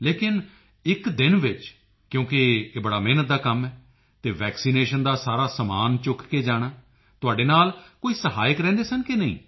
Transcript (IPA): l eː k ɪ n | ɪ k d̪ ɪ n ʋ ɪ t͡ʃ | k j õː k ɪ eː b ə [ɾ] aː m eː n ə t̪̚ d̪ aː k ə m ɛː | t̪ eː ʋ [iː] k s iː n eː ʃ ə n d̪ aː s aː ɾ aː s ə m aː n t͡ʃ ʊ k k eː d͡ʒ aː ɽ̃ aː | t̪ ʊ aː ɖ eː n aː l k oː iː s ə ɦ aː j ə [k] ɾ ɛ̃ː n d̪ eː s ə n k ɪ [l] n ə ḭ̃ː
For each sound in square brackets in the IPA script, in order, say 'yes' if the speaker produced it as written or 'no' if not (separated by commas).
no, no, yes, no